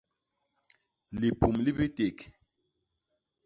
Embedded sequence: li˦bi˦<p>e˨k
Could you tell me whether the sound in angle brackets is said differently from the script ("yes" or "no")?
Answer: yes